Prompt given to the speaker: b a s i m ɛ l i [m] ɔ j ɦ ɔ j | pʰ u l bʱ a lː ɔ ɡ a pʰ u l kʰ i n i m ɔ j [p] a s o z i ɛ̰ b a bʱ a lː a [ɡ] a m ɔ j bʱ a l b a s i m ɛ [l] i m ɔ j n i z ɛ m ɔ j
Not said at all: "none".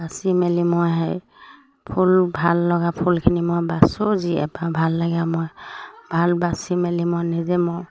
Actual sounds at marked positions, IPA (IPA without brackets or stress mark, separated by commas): m, b, ɡ, l